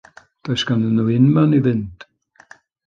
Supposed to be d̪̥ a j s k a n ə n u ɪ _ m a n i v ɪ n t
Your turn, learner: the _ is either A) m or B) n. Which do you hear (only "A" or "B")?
B